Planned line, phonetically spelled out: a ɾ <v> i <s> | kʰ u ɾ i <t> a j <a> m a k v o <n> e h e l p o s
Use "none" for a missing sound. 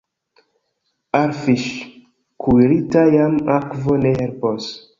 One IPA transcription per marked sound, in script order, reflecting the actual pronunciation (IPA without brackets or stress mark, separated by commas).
f, ʃ, t, a, n